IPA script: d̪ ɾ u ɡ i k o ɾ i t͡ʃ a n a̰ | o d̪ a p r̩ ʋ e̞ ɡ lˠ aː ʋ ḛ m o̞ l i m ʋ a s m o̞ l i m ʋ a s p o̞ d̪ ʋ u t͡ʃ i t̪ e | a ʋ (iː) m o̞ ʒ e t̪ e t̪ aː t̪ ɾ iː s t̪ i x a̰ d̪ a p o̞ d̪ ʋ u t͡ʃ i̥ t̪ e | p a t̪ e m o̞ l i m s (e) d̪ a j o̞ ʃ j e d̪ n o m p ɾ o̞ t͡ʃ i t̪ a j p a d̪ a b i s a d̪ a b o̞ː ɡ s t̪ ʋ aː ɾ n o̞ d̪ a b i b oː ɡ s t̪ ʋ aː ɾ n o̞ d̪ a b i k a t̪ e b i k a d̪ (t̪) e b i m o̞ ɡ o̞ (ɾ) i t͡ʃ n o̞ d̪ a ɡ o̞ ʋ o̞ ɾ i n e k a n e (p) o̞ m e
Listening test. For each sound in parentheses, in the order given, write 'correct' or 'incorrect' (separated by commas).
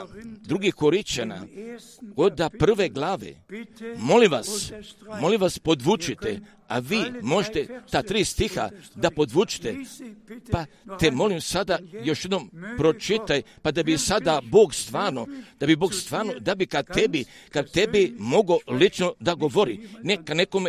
correct, incorrect, correct, incorrect, incorrect